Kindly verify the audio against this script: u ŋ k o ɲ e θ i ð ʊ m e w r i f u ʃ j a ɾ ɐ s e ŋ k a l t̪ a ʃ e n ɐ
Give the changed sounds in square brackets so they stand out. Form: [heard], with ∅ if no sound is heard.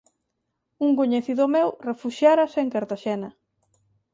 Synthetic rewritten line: u ŋ k o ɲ e θ i ð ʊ m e w r [e] f u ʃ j a ɾ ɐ s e ŋ k a [ɾ] t̪ a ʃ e n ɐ